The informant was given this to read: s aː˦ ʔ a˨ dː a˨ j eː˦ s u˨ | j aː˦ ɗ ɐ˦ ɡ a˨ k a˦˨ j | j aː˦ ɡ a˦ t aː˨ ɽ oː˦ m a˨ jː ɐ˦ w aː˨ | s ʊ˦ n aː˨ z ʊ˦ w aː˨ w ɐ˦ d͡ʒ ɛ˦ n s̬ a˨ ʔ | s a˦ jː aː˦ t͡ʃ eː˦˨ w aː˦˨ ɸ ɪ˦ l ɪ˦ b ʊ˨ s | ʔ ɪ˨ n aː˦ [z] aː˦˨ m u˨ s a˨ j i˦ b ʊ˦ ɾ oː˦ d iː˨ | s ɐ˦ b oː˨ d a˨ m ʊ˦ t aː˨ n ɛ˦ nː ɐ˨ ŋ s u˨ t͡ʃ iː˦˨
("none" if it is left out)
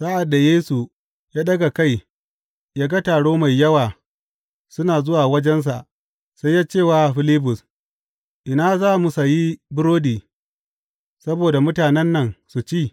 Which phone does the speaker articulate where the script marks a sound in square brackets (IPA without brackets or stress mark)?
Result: z